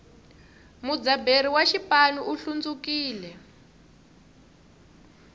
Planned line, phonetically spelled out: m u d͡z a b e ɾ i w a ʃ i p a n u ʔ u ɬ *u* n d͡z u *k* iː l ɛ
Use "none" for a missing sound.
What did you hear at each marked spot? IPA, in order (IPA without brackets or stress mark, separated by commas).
u, k